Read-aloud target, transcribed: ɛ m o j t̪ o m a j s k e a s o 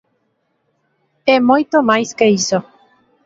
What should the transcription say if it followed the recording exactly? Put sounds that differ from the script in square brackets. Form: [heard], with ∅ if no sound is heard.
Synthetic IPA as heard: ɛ m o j t̪ o m a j s k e [i] s o